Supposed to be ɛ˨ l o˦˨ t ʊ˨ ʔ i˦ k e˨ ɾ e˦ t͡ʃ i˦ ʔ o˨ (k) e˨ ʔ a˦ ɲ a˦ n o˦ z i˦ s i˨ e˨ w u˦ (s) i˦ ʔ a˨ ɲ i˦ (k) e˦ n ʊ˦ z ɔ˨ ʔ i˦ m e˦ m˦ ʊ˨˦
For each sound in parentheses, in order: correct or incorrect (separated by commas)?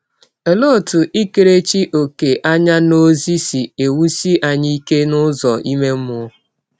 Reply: correct, correct, correct